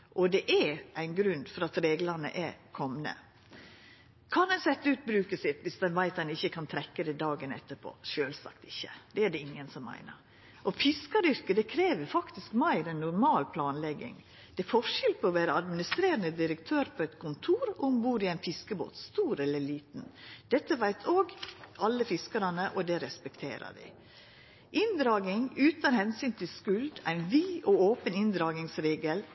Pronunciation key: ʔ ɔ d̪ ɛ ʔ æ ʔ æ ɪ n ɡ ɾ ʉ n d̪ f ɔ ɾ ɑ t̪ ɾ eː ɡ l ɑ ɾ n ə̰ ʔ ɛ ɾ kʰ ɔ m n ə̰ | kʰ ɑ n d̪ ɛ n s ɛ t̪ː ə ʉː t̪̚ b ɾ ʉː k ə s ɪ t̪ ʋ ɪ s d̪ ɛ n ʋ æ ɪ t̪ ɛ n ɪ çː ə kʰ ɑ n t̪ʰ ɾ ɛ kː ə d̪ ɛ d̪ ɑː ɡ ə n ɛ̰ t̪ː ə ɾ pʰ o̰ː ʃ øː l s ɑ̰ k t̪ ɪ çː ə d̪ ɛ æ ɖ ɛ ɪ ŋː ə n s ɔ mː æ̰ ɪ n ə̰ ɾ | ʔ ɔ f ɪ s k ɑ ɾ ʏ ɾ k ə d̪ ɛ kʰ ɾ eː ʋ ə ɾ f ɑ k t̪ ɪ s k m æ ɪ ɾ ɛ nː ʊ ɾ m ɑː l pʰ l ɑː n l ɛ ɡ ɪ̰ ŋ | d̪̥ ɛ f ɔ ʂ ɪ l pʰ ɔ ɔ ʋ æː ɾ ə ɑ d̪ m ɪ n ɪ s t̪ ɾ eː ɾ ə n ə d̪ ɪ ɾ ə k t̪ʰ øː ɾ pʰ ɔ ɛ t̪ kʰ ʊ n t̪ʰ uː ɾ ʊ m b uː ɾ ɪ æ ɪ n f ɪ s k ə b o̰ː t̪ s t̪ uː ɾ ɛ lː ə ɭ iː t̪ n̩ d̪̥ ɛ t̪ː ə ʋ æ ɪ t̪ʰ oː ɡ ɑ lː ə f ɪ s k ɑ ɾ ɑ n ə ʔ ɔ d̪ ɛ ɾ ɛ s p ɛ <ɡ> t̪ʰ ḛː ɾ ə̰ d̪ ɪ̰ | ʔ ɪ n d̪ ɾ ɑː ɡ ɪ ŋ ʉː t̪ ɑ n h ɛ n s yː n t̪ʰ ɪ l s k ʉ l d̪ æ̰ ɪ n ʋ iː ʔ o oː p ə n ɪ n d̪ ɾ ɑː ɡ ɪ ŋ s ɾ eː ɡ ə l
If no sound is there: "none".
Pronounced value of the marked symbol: k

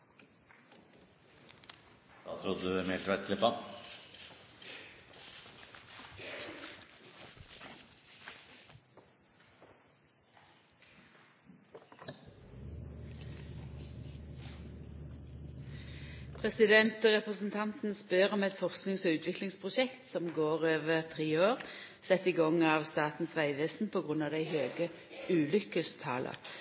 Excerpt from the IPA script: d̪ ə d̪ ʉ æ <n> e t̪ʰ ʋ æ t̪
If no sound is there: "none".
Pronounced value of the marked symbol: m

